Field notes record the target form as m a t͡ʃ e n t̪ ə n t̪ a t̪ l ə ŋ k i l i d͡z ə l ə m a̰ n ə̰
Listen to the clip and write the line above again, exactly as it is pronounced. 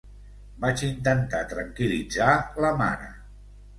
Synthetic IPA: b a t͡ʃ i n t̪ ə n t̪ a t̪ ɾ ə ŋ k i l i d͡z a l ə m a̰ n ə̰